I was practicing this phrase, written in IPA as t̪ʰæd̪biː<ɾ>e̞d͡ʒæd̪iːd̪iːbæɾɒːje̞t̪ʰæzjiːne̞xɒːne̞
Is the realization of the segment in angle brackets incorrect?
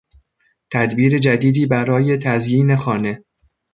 no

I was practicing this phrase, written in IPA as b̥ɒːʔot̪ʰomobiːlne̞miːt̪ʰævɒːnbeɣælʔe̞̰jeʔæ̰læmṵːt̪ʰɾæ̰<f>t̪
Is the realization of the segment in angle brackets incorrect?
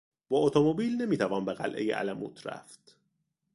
no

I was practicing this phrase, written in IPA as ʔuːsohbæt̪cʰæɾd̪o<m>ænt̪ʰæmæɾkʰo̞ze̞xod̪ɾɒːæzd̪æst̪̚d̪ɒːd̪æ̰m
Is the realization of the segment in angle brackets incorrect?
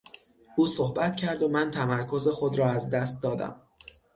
no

